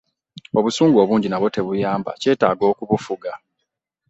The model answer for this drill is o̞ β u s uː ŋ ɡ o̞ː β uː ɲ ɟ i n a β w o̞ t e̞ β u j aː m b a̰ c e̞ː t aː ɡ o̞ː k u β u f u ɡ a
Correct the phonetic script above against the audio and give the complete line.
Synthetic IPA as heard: o̞ β u s uː ŋ ɡ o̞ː β uː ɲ ɟ i n a β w o̞ t e̞ β u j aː m b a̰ c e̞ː t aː ɡ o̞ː k u β u f u ɡ a